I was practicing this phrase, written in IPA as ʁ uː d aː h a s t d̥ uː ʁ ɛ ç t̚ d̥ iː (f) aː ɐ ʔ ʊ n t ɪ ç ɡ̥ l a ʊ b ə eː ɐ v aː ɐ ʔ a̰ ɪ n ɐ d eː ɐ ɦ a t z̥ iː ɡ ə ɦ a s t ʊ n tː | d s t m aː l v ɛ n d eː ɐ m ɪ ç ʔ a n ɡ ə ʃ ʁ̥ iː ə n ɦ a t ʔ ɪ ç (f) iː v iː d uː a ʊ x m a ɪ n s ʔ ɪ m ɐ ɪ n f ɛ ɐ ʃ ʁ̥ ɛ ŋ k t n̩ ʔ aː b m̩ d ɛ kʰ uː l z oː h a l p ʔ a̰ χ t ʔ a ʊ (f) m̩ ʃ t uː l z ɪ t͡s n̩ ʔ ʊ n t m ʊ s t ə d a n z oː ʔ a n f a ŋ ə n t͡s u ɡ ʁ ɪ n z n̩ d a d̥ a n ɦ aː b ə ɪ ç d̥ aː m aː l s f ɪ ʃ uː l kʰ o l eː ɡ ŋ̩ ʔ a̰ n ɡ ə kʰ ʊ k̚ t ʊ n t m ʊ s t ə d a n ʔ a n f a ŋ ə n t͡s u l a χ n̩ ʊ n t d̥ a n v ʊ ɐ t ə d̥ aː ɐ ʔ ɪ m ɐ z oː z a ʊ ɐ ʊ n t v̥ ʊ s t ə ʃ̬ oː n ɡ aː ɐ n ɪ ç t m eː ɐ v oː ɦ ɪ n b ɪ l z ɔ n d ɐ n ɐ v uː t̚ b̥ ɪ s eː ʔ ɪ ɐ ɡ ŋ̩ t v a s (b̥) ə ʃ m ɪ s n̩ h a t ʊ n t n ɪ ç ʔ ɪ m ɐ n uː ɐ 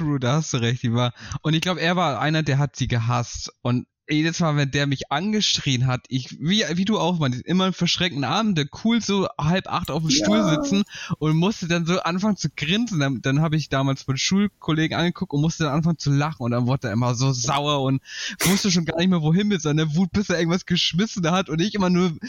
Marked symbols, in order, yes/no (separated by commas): no, no, yes, no